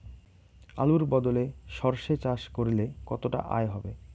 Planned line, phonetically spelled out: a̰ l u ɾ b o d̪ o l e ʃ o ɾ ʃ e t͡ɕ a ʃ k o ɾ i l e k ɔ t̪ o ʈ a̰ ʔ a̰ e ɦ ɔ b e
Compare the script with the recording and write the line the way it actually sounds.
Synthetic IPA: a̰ l u ɾ b ɔ d̪ o l e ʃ ɔ ɾ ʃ e t͡ɕ a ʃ k o ɾ i l e k ɔ t̪ o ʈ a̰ ʔ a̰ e ɦ ɔ b e